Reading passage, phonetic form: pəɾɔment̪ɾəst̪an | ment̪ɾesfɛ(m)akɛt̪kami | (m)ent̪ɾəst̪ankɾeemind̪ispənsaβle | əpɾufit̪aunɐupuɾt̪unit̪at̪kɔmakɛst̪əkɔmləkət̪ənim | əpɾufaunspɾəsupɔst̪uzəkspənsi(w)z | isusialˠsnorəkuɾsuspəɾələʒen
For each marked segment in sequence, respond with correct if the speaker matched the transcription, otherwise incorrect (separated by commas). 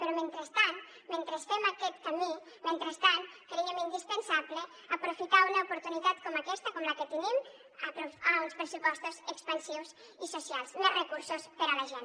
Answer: correct, correct, correct